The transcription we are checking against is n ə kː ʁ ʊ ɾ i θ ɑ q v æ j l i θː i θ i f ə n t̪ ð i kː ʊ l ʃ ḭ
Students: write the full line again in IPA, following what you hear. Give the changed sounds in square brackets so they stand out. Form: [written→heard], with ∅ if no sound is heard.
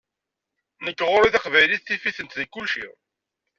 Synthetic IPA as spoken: n ə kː ʁ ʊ ɾ i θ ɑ q v æ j l i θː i [θ→f] i [f→θ] ə n t̪ ð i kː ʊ l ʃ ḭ